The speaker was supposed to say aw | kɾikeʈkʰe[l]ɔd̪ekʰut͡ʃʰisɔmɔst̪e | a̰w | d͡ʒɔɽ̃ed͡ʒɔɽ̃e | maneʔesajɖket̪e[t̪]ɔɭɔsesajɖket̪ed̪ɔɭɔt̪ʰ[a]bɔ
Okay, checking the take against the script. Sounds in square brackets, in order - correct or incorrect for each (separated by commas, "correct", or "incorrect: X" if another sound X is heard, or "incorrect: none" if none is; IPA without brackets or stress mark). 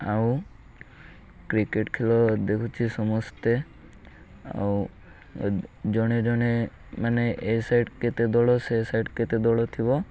correct, incorrect: d̪, incorrect: i